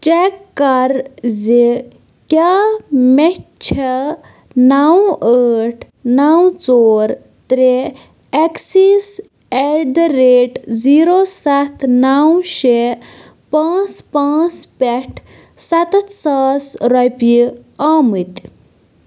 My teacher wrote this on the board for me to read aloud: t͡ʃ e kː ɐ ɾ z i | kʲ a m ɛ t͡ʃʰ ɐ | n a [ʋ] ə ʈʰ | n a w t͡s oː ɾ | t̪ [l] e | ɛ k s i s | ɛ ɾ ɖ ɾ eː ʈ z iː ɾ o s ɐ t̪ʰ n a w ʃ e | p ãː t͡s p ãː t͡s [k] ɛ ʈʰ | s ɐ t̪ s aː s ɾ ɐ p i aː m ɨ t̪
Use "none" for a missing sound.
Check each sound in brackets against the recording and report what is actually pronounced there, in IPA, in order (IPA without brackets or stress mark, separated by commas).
w, ɾ, p